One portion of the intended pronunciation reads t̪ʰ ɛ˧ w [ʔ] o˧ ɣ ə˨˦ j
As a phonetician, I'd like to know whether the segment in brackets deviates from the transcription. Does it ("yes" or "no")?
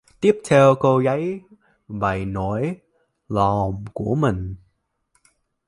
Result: yes